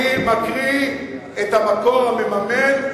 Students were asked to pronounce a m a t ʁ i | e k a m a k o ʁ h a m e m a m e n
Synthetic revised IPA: i m a k ʁ i | e t a m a k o ʁ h a m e m a m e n